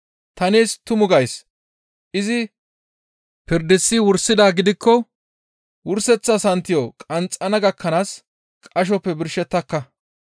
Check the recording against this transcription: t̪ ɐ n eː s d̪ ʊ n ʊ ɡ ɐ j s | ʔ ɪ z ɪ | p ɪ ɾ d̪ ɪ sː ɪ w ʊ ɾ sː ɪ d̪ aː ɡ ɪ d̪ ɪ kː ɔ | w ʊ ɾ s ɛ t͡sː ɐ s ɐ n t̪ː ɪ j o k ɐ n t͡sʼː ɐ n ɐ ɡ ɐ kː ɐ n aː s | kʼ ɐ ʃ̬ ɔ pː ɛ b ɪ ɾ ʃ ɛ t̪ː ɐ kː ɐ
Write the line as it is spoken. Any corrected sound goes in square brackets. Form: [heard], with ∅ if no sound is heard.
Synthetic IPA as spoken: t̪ ɐ n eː s [t̪] ʊ [m] ʊ ɡ ɐ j s | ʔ ɪ z ɪ | p ɪ ɾ d̪ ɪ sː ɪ w ʊ ɾ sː ɪ d̪ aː ɡ ɪ d̪ ɪ kː ɔ | w ʊ ɾ s ɛ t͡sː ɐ s ɐ n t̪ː ɪ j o [kʼ] ɐ n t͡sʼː ɐ n ɐ ɡ ɐ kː ɐ n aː s | kʼ ɐ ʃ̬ ɔ pː ɛ b ɪ ɾ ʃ ɛ t̪ː ɐ kː ɐ